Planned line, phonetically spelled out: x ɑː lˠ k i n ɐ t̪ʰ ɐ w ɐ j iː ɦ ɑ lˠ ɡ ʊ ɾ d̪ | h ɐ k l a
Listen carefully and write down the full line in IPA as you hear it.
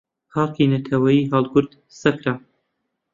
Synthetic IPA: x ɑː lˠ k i n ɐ t̪ʰ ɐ w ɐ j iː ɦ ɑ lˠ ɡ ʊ ɾ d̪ | s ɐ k ɾ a

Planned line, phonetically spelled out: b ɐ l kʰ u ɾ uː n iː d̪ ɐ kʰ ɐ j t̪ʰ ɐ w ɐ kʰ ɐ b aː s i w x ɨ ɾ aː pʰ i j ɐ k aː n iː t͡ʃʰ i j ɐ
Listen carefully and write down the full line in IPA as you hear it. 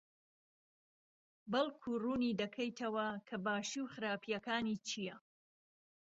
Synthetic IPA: b ɐ l kʰ u r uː n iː d̪ ɐ kʰ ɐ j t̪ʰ ɐ w ɐ kʰ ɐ b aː ʃ i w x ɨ ɾ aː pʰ i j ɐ k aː n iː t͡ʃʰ i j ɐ

